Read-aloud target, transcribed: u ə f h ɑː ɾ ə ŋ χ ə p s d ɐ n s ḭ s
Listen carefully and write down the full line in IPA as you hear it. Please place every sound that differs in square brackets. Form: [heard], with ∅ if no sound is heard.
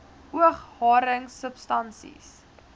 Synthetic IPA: u ə [χ] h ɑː ɾ ə ŋ [s] ə p s [t] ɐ n s ḭ s